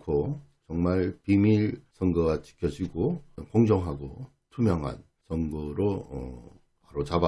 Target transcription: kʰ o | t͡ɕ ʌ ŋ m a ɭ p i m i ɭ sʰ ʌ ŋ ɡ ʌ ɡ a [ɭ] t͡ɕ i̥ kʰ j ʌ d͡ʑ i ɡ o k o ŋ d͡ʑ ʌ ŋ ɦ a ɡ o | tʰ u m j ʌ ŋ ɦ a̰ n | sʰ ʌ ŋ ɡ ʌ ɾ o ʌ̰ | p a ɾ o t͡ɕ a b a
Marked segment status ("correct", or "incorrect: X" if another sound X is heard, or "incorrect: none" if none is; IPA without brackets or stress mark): incorrect: none